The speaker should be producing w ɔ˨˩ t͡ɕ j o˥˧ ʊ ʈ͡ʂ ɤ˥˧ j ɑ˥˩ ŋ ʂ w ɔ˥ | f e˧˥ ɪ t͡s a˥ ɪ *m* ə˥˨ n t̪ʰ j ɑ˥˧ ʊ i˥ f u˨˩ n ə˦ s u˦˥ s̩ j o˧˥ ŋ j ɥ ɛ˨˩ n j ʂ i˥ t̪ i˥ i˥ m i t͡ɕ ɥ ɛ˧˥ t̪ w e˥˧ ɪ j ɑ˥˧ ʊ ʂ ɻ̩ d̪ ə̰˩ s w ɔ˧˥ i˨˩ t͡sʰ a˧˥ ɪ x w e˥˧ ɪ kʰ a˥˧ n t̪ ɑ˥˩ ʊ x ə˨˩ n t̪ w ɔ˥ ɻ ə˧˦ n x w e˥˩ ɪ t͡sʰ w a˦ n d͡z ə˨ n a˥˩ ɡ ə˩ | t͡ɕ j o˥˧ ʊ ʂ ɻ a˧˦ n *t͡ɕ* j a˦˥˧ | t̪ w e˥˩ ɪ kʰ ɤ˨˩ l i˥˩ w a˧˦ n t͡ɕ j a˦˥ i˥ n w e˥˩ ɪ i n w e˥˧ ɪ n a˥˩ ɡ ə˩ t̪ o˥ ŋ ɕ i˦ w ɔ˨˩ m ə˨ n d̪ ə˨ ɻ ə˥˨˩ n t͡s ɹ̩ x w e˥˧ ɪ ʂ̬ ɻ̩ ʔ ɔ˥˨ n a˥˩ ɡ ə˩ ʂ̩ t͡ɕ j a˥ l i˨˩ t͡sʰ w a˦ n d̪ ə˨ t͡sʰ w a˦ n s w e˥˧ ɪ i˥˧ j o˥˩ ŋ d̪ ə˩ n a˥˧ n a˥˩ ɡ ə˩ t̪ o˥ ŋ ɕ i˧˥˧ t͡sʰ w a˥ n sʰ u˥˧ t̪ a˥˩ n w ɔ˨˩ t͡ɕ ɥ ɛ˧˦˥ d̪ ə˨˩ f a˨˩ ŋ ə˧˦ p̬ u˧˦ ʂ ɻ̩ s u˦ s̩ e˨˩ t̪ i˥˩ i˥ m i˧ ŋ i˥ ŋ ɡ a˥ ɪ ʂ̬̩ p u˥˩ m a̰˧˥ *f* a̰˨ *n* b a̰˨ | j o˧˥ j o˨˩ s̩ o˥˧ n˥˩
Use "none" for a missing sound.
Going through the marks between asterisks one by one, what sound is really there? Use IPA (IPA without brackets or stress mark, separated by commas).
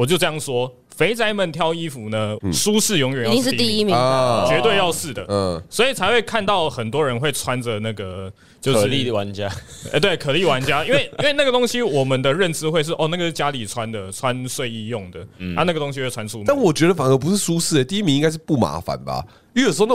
m, t͡ɕ, f, n